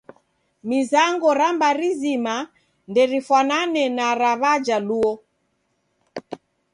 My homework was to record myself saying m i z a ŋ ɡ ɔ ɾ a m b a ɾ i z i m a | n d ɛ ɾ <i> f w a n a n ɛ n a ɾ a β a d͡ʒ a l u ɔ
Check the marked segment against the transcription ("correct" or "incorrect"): correct